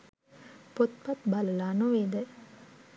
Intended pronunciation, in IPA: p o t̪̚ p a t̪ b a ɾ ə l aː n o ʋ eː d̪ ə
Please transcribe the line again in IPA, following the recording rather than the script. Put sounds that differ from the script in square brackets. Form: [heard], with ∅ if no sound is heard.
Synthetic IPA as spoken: p o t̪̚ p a t̪ b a [l] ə l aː n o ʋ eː d̪ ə